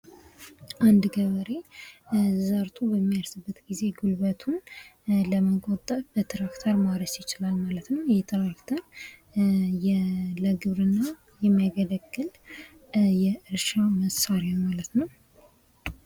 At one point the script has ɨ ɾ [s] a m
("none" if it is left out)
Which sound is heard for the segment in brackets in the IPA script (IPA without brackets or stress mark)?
ʃ